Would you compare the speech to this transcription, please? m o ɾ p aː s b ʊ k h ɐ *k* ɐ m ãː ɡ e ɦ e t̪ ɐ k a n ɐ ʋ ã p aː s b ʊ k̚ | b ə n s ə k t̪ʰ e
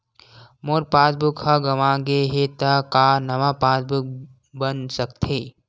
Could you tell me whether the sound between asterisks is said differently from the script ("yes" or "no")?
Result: yes